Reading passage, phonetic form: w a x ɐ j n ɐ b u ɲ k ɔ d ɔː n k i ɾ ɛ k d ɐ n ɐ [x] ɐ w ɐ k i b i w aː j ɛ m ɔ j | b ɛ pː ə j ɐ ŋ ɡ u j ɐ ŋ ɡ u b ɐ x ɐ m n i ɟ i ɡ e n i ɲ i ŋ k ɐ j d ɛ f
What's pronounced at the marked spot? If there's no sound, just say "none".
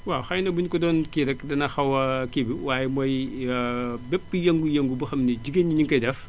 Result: x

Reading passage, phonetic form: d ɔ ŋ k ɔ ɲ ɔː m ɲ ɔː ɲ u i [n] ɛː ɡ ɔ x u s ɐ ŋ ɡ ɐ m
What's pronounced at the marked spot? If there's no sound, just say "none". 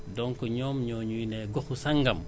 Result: n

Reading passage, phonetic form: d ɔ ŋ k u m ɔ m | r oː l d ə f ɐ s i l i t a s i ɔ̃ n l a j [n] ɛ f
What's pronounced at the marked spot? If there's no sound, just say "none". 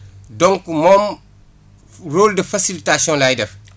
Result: d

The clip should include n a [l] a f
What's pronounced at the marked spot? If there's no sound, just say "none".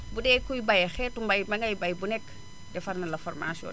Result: l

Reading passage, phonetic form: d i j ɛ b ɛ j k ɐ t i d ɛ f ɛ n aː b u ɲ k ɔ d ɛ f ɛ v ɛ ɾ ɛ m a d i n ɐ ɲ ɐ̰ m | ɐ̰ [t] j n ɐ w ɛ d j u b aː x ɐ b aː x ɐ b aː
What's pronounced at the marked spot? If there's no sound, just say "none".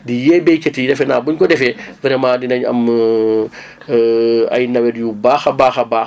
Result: none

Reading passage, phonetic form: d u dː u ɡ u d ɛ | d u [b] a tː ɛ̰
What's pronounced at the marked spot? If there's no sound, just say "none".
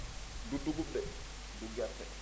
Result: ɡ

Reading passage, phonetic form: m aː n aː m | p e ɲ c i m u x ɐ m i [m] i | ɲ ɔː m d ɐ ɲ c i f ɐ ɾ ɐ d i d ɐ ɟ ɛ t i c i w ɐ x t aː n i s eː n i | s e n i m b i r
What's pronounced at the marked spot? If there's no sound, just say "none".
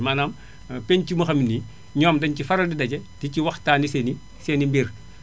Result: n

